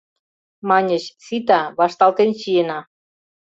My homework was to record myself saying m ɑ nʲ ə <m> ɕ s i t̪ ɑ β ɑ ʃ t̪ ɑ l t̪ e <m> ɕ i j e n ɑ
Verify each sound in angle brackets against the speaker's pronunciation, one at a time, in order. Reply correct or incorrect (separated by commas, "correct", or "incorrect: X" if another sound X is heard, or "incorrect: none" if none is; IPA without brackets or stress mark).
incorrect: none, incorrect: n